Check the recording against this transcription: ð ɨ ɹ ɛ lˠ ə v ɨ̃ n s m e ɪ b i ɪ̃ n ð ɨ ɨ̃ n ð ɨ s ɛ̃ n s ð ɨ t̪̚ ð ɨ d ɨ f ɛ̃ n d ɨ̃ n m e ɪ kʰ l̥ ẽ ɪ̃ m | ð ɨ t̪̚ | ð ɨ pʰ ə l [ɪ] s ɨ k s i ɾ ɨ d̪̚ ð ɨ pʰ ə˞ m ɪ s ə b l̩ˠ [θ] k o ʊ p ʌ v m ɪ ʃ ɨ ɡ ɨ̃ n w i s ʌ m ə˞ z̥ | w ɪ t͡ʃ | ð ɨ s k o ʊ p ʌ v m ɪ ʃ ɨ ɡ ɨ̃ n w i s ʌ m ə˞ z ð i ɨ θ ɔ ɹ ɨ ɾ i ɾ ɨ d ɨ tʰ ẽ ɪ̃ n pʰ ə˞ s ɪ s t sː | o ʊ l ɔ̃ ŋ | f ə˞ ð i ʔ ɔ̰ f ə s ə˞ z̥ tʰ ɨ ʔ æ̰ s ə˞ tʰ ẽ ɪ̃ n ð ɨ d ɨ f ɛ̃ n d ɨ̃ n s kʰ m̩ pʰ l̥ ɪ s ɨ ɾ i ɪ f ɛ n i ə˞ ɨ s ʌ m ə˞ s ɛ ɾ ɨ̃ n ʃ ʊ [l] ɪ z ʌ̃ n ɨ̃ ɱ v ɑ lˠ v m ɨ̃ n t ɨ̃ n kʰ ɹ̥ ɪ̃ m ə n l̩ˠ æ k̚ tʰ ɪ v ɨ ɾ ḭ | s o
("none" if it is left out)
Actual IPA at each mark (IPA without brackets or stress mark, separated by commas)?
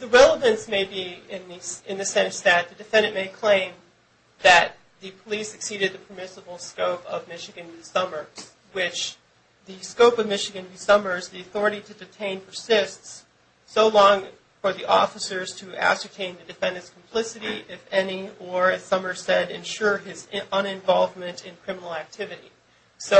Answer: i, s, ɹ